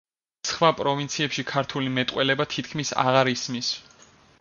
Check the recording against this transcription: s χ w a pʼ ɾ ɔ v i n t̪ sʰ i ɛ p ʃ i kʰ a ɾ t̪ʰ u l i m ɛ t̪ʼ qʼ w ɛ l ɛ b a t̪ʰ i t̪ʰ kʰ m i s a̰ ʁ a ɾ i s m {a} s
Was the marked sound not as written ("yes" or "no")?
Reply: yes